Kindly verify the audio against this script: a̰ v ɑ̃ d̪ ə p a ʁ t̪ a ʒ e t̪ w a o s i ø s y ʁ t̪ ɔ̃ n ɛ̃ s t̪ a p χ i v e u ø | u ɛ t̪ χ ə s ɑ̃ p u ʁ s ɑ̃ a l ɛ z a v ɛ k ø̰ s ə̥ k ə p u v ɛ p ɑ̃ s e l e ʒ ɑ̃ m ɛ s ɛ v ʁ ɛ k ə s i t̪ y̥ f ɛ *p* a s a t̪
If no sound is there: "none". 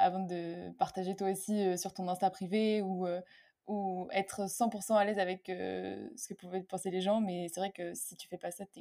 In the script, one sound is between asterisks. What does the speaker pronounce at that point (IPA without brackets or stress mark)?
p